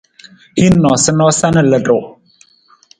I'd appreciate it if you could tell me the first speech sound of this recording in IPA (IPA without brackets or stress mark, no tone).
h